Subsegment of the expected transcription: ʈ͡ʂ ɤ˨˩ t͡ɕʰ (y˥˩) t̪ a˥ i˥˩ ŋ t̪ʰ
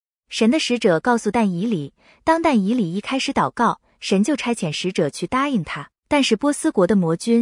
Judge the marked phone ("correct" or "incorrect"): correct